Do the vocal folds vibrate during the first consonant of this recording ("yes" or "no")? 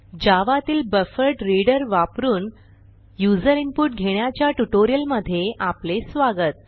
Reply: yes